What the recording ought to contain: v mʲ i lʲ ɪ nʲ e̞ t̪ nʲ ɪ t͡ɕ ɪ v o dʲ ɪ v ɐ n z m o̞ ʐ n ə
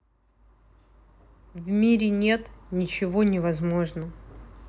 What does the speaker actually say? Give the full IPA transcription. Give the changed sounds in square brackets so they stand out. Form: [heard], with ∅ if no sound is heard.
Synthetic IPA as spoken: v mʲ i [ɾʲ] ɪ nʲ e̞ t̪ nʲ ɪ t͡ɕ ɪ v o [nʲ] ɪ v ɐ [∅] z m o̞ ʐ n ə